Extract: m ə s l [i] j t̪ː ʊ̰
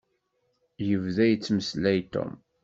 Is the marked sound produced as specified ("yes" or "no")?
no